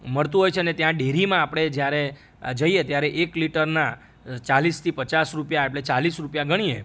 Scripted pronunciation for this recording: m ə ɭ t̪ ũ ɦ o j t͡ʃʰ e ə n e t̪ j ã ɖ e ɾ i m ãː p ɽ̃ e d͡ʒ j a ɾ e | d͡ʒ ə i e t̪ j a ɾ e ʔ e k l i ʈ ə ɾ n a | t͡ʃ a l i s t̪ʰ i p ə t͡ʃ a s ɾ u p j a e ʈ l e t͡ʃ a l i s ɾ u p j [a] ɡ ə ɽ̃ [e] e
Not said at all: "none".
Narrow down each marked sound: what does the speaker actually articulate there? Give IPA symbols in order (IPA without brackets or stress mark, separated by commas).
a, i